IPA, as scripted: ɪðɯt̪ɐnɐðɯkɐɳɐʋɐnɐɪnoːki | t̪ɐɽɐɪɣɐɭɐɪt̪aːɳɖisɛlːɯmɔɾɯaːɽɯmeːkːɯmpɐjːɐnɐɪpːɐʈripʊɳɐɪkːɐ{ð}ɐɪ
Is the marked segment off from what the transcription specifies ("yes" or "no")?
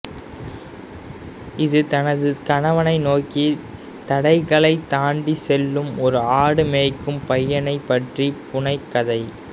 no